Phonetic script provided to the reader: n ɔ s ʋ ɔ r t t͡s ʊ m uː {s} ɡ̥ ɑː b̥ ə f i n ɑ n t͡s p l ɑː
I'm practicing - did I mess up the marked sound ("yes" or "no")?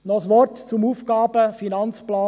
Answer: yes